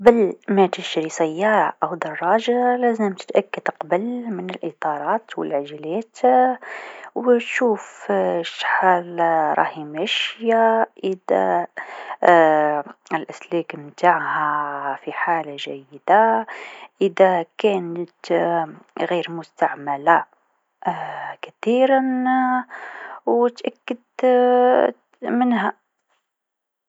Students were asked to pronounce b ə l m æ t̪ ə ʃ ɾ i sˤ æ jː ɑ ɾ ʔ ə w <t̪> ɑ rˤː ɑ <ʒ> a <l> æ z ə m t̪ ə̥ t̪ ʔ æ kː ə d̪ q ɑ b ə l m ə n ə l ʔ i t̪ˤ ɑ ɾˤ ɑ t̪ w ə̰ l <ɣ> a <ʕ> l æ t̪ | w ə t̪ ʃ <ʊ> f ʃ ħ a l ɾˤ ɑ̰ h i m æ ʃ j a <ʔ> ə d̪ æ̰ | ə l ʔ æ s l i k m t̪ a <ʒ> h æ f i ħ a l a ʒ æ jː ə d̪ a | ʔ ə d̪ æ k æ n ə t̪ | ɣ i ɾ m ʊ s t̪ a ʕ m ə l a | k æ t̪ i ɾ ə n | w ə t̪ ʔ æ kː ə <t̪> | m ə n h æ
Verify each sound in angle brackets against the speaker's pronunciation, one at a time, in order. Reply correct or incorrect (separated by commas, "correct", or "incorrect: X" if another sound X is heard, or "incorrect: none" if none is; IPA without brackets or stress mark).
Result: incorrect: d̪, correct, correct, incorrect: ʕ, incorrect: ʒ, incorrect: u, correct, incorrect: ʕ, incorrect: d̪